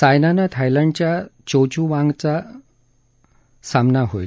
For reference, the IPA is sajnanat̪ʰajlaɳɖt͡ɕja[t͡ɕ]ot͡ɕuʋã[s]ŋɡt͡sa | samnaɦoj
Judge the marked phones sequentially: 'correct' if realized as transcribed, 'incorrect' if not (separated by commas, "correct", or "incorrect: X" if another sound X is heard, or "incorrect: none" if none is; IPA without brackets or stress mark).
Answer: correct, incorrect: none